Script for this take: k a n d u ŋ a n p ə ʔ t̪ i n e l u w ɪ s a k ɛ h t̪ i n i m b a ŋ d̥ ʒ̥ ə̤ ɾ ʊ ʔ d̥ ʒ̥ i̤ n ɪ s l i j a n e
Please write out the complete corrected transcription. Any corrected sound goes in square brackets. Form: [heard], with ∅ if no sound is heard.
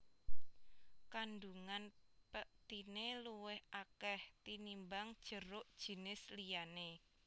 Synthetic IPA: k a n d u ŋ a n p ə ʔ t̪ i n e l u w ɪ [h] a k ɛ h t̪ i n i m b a ŋ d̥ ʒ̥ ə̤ ɾ ʊ ʔ d̥ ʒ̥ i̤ n ɪ s l i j a n e